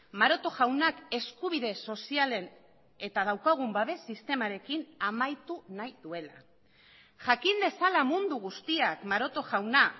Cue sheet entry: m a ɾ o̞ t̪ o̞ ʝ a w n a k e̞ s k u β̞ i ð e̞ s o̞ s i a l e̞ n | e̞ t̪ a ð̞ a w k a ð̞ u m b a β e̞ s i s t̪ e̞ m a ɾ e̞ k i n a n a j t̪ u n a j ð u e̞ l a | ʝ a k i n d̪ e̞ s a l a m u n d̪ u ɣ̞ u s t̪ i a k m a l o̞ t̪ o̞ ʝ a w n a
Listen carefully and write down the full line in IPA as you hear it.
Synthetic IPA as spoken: m a ɾ o̞ t̪ o̞ ʝ a w n a k e̞ s k u β̞ i ð e̞ s o̞ s i a l e̞ n | e̞ t̪ a ð̞ a w k a ɣ̞ u m b a β e̞ s i s t̪ e̞ m a ɾ e̞ k i n a m a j t̪ u n a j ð u e̞ l a | ʝ a k i n d̪ e̞ s a l a m u n d̪ u ɣ̞ u s t̪ i a k m a ɾ o̞ t̪ o̞ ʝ a w n a